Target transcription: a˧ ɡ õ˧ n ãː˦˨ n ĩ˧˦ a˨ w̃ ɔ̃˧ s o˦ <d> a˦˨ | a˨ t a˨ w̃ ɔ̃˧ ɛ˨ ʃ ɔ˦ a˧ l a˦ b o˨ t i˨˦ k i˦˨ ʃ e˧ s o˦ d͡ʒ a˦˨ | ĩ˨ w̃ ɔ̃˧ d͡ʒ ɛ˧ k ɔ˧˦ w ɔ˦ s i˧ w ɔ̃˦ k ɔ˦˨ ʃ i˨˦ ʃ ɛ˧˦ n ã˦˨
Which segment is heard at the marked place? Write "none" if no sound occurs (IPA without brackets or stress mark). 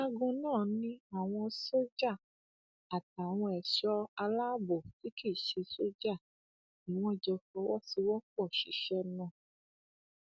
d͡ʒ